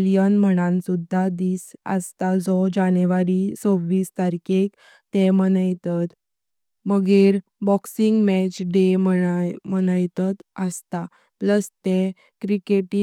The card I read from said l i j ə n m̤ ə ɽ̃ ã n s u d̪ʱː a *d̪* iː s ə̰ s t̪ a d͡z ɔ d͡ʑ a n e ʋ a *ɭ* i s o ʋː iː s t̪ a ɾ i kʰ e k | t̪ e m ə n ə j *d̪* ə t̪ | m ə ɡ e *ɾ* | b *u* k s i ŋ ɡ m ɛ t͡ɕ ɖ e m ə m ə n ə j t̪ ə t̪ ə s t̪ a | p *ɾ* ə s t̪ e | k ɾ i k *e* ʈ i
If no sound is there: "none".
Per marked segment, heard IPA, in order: d̪, ɾ, t̪, ɾ, ɔ, l, e

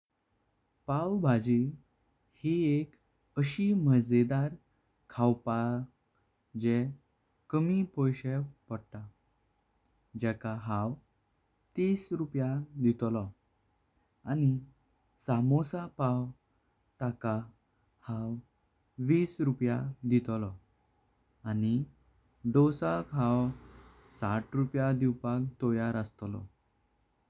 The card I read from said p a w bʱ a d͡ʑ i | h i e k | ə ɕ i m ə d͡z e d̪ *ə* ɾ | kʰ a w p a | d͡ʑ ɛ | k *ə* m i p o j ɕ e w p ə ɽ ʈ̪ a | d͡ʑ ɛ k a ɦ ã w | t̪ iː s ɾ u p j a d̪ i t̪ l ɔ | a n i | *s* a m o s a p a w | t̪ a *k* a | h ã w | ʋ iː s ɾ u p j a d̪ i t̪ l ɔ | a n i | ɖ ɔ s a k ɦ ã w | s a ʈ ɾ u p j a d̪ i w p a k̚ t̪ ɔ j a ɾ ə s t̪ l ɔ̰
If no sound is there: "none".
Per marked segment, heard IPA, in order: a, ə, s, k

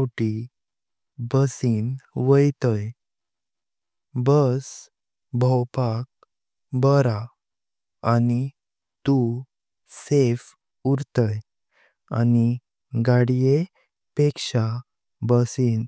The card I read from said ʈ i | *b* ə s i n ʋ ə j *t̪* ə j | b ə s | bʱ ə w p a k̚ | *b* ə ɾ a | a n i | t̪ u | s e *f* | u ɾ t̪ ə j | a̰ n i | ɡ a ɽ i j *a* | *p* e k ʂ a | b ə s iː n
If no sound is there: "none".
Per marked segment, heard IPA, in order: b, t̪, b, f, e, p

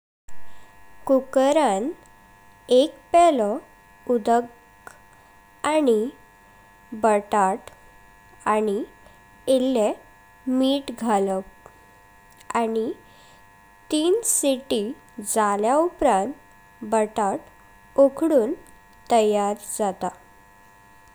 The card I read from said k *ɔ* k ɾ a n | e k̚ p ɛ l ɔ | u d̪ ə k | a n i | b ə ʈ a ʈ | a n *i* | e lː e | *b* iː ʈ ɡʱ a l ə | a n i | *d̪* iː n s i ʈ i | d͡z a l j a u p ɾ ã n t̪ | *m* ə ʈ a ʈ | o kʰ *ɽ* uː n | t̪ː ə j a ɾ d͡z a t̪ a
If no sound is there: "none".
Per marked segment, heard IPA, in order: u, i, m, t̪, b, ɽ

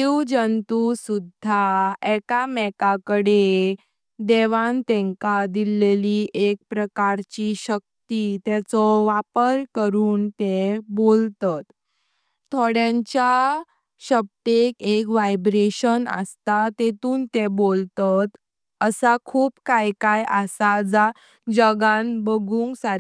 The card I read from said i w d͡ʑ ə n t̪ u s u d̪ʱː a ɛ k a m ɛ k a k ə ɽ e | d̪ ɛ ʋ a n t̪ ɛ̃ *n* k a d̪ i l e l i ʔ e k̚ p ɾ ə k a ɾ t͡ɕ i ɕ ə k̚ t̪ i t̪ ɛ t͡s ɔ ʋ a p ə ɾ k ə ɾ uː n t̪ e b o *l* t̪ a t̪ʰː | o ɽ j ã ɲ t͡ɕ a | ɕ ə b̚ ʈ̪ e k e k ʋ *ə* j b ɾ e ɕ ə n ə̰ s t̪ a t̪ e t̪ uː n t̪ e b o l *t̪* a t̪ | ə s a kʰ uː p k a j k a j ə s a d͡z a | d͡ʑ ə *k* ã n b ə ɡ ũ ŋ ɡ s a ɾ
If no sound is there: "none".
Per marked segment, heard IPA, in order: ŋ, l, a, t̪, ɡ

